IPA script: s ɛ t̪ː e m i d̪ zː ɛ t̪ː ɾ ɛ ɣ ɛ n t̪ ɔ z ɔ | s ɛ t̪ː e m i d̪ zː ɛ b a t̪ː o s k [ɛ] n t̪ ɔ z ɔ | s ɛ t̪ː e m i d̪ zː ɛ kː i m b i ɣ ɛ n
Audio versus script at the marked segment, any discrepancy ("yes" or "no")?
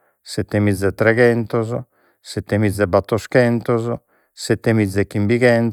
no